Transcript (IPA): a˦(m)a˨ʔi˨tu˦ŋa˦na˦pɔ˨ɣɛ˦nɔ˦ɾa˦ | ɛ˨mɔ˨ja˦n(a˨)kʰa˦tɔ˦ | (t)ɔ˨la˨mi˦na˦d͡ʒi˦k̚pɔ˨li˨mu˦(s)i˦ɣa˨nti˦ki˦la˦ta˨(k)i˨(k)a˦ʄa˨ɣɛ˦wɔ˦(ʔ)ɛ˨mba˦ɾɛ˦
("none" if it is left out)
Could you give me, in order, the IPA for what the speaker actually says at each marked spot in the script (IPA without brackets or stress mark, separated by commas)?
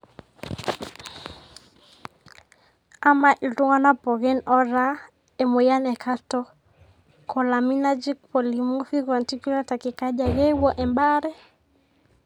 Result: m, ɛ˨, k, f, k, k, ʔ